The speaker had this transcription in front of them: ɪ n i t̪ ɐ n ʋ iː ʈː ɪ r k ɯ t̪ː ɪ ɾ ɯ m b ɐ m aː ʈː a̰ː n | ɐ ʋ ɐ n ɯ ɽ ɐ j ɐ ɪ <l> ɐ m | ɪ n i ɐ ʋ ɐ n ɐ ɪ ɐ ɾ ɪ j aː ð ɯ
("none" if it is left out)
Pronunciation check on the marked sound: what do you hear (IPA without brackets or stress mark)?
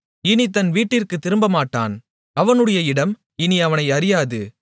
ɽ